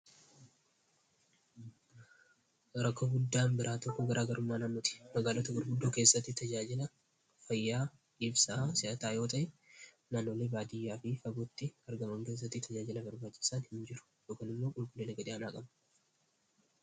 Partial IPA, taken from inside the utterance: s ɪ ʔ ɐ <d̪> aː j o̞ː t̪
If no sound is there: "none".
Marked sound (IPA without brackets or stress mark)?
t̪